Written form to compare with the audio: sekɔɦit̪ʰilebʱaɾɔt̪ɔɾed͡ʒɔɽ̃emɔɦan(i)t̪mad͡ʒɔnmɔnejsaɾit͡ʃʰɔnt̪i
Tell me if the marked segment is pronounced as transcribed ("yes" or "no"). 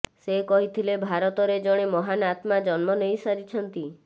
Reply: no